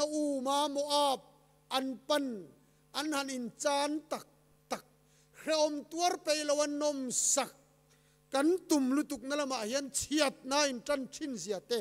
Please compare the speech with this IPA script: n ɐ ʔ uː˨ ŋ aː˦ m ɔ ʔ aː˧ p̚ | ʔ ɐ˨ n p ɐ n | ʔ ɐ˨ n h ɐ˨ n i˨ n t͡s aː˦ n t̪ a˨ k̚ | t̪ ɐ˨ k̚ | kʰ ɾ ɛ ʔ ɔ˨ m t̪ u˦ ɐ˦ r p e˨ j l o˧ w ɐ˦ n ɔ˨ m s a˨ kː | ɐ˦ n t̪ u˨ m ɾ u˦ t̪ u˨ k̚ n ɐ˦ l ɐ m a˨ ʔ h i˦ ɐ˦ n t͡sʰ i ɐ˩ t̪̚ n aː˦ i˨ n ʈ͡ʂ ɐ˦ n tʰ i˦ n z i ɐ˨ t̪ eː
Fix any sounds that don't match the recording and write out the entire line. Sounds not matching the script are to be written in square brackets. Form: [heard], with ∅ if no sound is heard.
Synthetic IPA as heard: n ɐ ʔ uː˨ [m] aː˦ m ɔ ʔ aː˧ p̚ | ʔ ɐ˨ n p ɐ n | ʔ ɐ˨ n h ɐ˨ n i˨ n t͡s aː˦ n t̪ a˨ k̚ | t̪ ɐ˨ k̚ | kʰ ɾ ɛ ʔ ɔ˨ m t̪ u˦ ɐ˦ r p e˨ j l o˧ w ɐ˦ n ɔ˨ m s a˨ kː | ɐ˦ n t̪ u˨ m [l] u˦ t̪ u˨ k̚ n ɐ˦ l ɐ m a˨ ʔ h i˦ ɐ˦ n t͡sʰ i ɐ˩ t̪̚ n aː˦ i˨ n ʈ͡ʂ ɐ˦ n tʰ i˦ n z i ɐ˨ t̪ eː

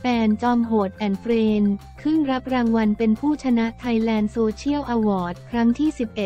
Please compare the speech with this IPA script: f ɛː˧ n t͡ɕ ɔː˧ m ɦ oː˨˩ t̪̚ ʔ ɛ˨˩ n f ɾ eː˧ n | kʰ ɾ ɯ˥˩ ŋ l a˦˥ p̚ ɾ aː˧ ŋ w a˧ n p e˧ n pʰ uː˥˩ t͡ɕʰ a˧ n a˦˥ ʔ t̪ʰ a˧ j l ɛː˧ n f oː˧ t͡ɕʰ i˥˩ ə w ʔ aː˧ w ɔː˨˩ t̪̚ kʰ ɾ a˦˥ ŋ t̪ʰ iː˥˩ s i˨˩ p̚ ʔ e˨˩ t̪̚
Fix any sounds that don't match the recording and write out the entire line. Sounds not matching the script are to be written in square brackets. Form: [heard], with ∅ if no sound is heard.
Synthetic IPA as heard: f ɛː˧ n t͡ɕ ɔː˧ m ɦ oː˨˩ t̪̚ ʔ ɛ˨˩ n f ɾ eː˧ n | kʰ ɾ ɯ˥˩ ŋ [ɾ] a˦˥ p̚ ɾ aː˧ ŋ w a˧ n p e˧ n pʰ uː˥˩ t͡ɕʰ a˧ n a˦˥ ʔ t̪ʰ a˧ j l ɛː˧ n [s] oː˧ t͡ɕʰ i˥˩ ə w ʔ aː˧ w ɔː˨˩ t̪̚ kʰ ɾ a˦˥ ŋ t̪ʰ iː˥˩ s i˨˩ p̚ ʔ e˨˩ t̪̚

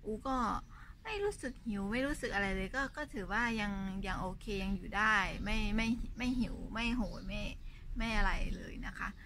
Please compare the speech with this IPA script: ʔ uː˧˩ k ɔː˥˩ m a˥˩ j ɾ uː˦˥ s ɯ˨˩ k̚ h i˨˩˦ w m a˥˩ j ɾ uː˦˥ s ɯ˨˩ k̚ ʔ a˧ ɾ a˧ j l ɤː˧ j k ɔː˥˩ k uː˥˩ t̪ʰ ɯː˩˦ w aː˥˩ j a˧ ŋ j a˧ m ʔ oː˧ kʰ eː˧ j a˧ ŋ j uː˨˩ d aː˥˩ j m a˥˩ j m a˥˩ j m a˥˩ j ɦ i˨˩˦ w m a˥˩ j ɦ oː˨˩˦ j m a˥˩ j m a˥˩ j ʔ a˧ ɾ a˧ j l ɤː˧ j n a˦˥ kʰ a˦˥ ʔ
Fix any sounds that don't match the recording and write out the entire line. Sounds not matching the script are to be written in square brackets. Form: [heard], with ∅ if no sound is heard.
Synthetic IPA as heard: ʔ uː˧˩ k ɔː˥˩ m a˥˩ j ɾ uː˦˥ s ɯ˨˩ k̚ h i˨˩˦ w m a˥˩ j ɾ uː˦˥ s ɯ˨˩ k̚ ʔ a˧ ɾ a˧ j l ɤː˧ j k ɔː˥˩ k [ɔː˥˩] t̪ʰ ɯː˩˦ w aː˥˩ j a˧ ŋ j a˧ [ŋ] ʔ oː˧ kʰ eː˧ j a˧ ŋ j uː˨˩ d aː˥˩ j m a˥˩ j m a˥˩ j m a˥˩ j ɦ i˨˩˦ w m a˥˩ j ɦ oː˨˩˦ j m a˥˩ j m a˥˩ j ʔ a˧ ɾ a˧ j l ɤː˧ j n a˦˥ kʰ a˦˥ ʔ

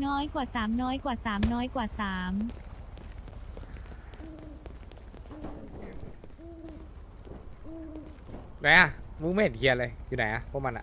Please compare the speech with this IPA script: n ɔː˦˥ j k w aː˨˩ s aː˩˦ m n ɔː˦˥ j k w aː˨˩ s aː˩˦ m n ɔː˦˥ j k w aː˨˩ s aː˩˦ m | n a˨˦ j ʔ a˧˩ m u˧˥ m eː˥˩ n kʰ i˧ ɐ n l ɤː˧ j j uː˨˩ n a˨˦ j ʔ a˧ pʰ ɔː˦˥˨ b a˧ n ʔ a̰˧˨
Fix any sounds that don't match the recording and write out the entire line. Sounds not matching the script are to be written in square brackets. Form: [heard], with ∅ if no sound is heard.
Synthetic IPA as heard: n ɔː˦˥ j k w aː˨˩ s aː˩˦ m n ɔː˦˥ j k w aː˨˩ s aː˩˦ m n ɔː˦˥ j k w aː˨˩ s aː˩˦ m | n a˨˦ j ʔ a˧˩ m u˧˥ m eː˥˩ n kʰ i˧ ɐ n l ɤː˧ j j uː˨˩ n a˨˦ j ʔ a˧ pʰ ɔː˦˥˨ [m] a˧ n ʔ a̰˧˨

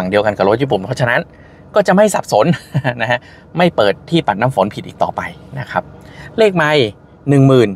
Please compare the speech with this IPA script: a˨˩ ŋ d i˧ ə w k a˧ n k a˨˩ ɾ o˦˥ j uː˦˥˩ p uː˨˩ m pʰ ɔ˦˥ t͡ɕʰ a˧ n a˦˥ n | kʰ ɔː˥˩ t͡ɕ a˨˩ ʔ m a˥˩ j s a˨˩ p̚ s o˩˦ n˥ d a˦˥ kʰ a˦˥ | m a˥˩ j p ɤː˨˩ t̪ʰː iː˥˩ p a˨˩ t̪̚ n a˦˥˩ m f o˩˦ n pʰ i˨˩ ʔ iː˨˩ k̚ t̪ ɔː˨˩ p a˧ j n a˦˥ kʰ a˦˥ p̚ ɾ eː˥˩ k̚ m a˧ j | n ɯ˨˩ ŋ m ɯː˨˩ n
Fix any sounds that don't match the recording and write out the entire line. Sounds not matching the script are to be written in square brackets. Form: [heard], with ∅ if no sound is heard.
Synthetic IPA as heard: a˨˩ ŋ d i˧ ə w k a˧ n k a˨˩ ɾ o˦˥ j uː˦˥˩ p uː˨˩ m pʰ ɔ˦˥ t͡ɕʰ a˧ n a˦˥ n | [k] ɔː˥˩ t͡ɕ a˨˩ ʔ m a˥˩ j s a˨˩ p̚ s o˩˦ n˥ [n] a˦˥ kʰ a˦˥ | m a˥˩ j p ɤː˨˩ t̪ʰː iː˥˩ p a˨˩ t̪̚ n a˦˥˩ m f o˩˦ n pʰ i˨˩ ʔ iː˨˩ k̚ t̪ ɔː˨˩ p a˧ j n a˦˥ kʰ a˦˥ p̚ [l] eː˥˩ k̚ m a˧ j | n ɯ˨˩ ŋ m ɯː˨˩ n

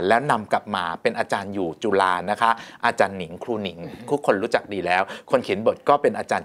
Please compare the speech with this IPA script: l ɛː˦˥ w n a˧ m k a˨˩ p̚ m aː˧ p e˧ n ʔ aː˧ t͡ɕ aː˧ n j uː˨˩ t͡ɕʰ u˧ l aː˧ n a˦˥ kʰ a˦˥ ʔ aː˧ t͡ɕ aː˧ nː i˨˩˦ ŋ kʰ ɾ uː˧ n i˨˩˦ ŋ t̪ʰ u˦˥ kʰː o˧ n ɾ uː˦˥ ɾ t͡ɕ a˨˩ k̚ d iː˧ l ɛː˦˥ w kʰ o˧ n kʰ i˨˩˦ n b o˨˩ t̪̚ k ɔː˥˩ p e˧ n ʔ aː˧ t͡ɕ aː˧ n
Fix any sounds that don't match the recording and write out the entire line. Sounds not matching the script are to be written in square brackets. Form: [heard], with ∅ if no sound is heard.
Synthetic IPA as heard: l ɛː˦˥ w n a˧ m k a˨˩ p̚ m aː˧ p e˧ n ʔ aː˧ t͡ɕ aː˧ n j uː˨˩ [t͡ɕ] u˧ l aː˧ n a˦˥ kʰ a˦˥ ʔ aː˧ t͡ɕ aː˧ nː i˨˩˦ ŋ kʰ ɾ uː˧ n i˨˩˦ ŋ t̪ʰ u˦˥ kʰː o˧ n ɾ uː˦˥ [∅] t͡ɕ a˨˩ k̚ d iː˧ l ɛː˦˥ w kʰ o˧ n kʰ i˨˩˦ n b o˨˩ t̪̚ k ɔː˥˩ p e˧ n ʔ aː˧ t͡ɕ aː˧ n

